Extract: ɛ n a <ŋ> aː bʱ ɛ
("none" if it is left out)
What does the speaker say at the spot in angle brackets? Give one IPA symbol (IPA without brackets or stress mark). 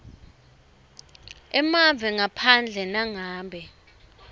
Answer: ŋ